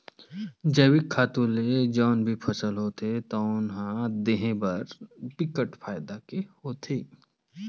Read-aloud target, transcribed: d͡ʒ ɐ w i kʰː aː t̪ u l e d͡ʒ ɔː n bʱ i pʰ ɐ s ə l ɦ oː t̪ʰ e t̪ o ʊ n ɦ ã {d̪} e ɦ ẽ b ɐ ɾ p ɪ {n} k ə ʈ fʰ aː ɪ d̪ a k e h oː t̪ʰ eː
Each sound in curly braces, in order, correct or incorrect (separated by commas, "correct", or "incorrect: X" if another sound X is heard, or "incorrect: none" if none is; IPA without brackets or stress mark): correct, incorrect: none